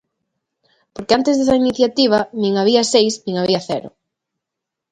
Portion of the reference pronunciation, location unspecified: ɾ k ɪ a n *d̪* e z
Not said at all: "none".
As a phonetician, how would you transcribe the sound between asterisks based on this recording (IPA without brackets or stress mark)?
t̪